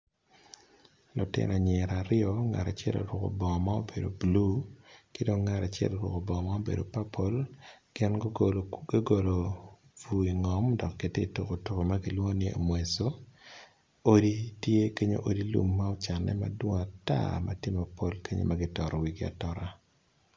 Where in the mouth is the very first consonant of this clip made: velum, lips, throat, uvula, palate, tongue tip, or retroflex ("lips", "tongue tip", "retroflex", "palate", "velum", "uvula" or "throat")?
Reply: tongue tip